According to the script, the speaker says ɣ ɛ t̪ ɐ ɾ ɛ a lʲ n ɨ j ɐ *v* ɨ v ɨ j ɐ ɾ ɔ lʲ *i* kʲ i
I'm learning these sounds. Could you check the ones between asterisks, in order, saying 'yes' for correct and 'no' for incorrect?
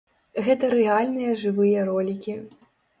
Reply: no, yes

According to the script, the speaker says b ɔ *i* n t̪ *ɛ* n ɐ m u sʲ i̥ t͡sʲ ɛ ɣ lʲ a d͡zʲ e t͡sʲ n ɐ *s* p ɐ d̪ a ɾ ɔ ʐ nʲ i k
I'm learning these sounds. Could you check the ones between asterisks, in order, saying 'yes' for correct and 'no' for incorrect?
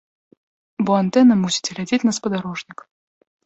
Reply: no, yes, yes

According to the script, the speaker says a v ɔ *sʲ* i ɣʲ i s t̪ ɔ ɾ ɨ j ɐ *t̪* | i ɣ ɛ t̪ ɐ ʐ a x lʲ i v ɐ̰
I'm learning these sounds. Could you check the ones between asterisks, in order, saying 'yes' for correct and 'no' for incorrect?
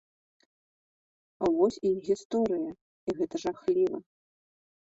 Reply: yes, no

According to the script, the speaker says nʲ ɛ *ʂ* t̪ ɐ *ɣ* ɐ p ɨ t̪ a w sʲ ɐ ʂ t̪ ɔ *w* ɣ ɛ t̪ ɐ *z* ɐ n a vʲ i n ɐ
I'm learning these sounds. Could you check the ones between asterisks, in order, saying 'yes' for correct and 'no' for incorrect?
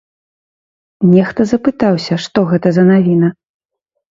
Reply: no, no, no, yes

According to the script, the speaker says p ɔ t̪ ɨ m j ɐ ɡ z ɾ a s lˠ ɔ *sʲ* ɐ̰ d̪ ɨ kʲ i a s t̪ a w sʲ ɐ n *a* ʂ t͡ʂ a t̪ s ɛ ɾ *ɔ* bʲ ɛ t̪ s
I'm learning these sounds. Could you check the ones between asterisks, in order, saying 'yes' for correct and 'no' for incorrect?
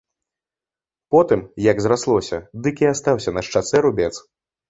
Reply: yes, no, no

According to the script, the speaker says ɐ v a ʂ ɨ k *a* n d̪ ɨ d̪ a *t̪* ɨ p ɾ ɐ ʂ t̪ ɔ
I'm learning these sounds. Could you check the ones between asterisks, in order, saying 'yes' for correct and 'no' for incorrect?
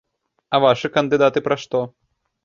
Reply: no, yes

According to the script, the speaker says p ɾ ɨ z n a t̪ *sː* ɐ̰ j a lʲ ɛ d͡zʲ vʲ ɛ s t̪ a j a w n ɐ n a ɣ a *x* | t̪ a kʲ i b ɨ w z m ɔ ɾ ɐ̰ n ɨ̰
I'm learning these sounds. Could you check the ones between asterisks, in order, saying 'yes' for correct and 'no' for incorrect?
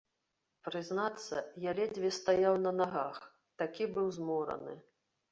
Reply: yes, yes

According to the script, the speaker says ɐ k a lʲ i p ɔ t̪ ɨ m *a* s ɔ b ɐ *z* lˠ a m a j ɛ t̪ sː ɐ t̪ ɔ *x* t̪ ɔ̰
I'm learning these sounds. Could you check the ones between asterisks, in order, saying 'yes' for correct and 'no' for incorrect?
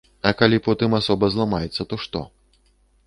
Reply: yes, yes, no

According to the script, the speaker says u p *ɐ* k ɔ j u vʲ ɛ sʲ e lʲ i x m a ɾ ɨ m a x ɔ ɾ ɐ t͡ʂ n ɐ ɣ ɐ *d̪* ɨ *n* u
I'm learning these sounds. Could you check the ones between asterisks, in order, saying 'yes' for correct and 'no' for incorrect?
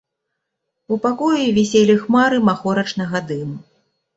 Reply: no, yes, no

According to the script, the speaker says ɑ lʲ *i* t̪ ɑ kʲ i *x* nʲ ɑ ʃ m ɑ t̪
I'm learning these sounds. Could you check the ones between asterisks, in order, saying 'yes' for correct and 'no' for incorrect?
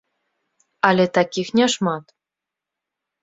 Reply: no, yes

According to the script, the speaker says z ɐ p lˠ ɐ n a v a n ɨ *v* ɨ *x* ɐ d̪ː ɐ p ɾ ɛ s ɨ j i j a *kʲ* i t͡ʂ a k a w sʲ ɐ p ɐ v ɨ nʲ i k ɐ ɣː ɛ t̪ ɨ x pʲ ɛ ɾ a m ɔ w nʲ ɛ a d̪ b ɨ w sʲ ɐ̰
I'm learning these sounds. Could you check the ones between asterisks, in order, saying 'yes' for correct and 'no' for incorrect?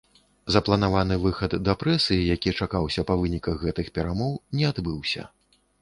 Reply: yes, yes, yes

